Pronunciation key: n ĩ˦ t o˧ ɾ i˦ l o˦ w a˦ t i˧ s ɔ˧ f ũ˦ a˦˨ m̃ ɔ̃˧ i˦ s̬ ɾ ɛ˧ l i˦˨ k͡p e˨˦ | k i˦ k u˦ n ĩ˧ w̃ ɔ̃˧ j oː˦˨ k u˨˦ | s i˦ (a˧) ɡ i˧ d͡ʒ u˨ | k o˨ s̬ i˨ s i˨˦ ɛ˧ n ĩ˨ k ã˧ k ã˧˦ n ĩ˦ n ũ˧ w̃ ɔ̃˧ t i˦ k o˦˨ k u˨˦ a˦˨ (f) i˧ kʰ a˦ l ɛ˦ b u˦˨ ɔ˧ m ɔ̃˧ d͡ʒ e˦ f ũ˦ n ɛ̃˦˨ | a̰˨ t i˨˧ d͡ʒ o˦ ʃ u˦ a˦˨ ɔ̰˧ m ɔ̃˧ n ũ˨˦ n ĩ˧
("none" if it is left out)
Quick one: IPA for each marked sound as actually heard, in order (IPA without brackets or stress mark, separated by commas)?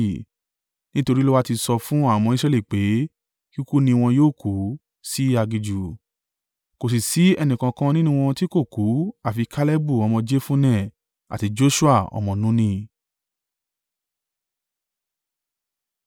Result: a˧, f